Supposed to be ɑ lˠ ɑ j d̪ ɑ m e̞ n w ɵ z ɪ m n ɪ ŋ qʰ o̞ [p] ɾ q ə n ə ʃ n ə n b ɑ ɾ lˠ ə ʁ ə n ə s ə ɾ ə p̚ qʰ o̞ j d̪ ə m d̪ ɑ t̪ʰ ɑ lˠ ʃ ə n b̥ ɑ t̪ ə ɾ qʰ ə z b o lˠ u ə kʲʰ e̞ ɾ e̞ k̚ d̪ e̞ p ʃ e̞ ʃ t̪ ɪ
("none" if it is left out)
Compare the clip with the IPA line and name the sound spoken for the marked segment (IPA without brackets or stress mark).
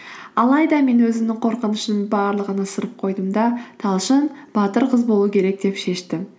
none